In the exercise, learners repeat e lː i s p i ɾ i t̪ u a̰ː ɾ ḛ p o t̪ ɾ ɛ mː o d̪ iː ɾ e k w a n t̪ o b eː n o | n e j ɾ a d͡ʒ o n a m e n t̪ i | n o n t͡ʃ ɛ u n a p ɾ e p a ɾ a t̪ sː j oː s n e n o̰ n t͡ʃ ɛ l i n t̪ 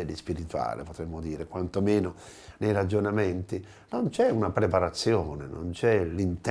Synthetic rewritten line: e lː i s p i ɾ i t̪ u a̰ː l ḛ p o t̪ ɾ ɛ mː o d̪ iː ɾ e k w a n t̪ o m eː n o | n e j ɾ a d͡ʒ o n a m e n t̪ i | n o n t͡ʃ ɛ u n a p ɾ e p a ɾ a t̪ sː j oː n e n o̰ n t͡ʃ ɛ l i n t̪